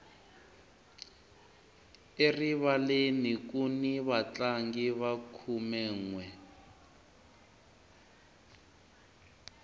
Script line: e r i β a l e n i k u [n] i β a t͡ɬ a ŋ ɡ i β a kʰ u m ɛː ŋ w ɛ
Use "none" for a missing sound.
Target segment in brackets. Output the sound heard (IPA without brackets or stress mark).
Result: n